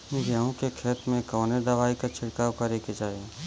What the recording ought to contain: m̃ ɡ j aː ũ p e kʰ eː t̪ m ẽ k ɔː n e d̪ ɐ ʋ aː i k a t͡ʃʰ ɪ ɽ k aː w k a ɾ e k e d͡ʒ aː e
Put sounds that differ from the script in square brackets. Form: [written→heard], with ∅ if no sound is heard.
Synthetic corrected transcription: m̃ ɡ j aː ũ [p→k] e kʰ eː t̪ m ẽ k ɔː n e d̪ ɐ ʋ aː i k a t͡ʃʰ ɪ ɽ k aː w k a ɾ e k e d͡ʒ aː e

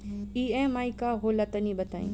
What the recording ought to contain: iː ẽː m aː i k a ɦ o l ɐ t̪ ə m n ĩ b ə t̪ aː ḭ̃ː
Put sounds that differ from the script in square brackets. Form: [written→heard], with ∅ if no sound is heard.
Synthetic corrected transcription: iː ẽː m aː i k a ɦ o l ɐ t̪ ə [m→∅] n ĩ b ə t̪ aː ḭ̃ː

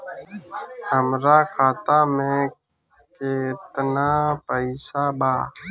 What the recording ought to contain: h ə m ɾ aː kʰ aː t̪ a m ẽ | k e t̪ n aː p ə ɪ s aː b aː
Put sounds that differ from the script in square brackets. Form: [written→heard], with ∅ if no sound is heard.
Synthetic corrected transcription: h ə m ɾ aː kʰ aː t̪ a m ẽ | k e t̪ n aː p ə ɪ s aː b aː

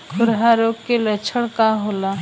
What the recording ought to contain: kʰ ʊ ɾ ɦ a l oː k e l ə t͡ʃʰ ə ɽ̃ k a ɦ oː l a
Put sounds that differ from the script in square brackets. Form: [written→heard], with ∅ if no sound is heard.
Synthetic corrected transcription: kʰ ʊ ɾ ɦ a [l→ɾ] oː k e l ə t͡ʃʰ ə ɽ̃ k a ɦ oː l a

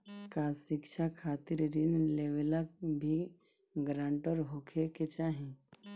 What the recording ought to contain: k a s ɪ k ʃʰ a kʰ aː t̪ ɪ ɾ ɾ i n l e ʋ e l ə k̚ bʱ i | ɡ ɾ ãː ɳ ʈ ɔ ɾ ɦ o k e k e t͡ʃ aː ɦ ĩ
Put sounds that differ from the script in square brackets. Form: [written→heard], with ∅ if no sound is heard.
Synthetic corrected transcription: k a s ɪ k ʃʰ a kʰ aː t̪ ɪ ɾ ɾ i n l e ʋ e l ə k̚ bʱ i | ɡ ɾ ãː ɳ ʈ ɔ ɾ ɦ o [k→kʰ] e k e t͡ʃ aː ɦ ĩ

